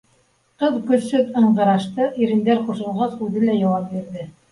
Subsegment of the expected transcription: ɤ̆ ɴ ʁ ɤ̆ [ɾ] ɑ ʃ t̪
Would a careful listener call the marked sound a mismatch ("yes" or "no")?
no